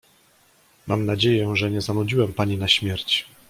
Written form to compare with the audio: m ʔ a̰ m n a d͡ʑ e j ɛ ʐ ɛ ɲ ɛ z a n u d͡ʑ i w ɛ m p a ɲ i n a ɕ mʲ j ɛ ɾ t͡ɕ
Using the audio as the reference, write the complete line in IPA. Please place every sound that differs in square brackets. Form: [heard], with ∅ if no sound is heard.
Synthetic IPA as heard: m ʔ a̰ m n a d͡ʑ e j ɛ ʐ ɛ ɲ ɛ z a n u d͡ʑ i w ɛ m p a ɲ i n a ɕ mʲ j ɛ ɾ t͡ɕ